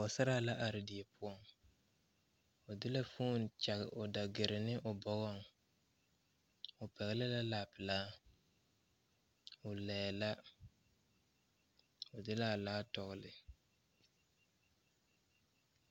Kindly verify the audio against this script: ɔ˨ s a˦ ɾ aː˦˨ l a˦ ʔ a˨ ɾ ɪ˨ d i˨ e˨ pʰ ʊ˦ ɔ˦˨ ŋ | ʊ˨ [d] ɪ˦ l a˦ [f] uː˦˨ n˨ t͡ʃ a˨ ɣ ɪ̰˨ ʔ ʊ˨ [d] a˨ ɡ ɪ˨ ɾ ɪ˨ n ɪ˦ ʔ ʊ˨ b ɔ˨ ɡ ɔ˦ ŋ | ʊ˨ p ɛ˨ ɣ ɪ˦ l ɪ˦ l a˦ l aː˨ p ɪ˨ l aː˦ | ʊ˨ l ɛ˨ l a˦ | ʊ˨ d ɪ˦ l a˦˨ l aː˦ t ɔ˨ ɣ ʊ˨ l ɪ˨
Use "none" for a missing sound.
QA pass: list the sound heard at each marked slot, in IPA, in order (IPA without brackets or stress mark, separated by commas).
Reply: d, f, d